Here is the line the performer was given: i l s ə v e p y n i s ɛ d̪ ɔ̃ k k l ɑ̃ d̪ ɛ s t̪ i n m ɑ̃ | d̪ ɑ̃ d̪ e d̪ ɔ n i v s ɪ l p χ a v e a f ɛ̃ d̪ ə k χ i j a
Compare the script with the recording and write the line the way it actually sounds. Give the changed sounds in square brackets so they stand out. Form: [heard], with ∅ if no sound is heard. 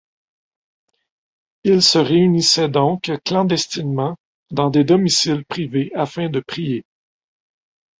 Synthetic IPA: i l s ə [ʁ] e [∅] y n i s ɛ d̪ ɔ̃ k k l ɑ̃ d̪ ɛ s t̪ i n m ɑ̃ | d̪ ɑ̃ d̪ e d̪ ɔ [m] i [∅] s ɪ l p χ [i] v e a f ɛ̃ d̪ ə [p] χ i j [e]